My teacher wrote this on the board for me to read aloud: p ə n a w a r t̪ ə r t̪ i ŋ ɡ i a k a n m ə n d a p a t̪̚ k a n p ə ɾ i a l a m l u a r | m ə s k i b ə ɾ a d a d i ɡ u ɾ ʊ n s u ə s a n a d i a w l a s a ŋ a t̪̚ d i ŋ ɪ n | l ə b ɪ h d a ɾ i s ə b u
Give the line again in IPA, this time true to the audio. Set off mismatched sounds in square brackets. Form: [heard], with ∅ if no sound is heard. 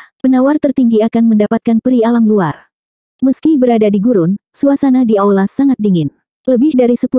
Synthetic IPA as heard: p ə n a w a r t̪ ə r t̪ i ŋ ɡ i a k a n m ə n d a p a t̪̚ k a n p ə ɾ i a l a m l u a r | m ə s k i b ə ɾ a d a d i ɡ u ɾ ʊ n s u [a] s a n a d i a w l a s a ŋ a t̪̚ d i ŋ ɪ n | l ə b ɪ h d a ɾ i s ə [p] u

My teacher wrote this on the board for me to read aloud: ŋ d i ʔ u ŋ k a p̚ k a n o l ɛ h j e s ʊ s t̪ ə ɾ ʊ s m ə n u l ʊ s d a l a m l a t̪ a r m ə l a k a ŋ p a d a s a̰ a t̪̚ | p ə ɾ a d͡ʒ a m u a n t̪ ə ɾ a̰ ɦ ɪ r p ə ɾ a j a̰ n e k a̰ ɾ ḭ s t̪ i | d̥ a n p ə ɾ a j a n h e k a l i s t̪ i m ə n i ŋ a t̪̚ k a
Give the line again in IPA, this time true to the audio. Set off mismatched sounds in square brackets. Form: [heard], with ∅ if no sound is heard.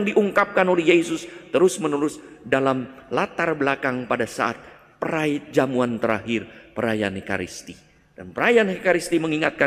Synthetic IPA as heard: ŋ d i ʔ u ŋ k a p̚ k a n o l ɛ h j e s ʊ s t̪ ə ɾ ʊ s m ə n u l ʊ s d a l a m l a t̪ a r [b] ə l a k a ŋ p a d a s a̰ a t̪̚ | p ə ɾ a d͡ʒ a m u a n t̪ ə ɾ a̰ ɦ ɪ r p ə ɾ a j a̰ n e k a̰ ɾ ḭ s t̪ i | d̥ a n p ə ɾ a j a n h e k a [ɾ] i s t̪ i m ə [ŋ] i ŋ a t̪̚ k a

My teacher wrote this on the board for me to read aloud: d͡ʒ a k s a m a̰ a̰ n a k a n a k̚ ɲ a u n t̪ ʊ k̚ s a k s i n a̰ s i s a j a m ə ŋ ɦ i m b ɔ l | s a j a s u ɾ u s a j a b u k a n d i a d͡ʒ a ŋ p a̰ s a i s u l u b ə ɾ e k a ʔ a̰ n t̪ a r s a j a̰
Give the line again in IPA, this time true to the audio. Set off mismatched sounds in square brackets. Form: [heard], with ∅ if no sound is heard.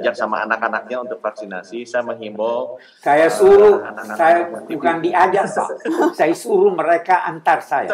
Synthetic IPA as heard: d͡ʒ a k s a m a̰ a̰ n a k a n a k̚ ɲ a u n t̪ ʊ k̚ [f] a k s i n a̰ s i s a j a m ə ŋ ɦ i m b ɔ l | s a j a s u ɾ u s a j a b u k a n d i a d͡ʒ a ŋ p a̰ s a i s u [ɾ] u [m] ə ɾ e k a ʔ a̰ n t̪ a r s a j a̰

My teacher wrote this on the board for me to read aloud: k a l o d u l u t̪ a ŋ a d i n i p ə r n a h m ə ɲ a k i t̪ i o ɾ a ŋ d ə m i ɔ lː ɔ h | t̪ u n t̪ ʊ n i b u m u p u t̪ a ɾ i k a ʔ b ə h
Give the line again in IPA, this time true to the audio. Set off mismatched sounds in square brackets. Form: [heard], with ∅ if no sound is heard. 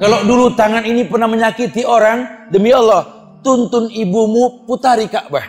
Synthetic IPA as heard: k a l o d u l u t̪ a ŋ a [n] i n i p ə r n a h m ə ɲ a k i t̪ i o ɾ a ŋ d ə m i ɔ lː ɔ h | t̪ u n t̪ ʊ n i b u m u p u t̪ a ɾ i k a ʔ b [a] h

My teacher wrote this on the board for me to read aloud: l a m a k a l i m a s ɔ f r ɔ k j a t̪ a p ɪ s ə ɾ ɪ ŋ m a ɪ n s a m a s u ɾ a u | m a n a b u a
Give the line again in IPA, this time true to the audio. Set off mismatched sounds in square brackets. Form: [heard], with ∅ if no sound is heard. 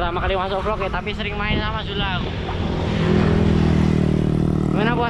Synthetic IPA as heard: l a m a k a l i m a s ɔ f [l] ɔ k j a t̪ a p [i] s ə ɾ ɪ ŋ m a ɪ n s a m a s u [l] a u | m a n a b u a

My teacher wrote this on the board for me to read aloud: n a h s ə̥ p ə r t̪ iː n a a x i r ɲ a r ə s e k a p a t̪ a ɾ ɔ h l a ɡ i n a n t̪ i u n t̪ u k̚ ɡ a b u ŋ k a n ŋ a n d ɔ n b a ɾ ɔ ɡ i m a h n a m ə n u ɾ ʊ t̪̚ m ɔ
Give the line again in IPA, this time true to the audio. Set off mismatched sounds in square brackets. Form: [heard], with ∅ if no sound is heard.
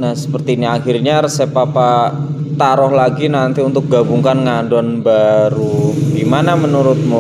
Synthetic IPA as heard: n a h s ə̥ p ə r t̪ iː n [i] a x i r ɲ a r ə s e [p] a p a t̪ a ɾ ɔ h l a ɡ i n a n t̪ i u n t̪ [ʊ] k̚ ɡ a b u ŋ k a n ŋ a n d ɔ n b a ɾ [u] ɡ i m a [∅] n a m ə n u ɾ ʊ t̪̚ m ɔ

